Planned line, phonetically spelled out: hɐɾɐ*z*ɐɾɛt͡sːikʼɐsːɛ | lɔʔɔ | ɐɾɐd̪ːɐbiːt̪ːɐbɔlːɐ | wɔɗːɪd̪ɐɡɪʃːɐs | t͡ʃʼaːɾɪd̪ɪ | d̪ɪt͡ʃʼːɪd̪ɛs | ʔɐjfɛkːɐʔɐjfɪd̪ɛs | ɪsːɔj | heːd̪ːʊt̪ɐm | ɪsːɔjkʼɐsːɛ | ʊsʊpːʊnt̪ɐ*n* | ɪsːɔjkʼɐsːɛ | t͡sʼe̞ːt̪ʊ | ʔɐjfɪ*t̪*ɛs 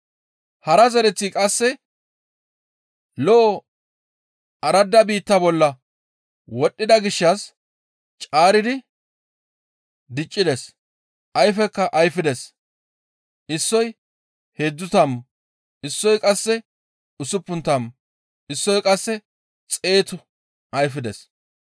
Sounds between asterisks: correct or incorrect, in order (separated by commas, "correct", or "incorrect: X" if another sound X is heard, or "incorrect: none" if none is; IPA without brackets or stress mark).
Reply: correct, incorrect: m, incorrect: d̪